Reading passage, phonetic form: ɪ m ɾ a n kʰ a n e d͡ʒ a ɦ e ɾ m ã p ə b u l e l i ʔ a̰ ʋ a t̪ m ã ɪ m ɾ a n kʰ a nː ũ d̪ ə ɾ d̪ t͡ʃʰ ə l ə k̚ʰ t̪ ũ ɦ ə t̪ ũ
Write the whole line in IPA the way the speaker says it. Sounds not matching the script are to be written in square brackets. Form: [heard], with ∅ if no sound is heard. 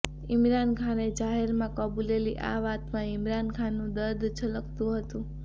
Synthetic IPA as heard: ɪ m ɾ a n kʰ a n e d͡ʒ a ɦ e ɾ m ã [k] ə b u l e l i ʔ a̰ ʋ a t̪ m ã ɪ m ɾ a n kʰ a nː ũ d̪ ə ɾ d̪ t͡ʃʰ ə l ə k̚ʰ t̪ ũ ɦ ə t̪ ũ